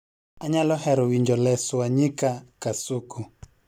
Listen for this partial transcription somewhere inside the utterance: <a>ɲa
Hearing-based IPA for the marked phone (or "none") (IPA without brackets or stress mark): a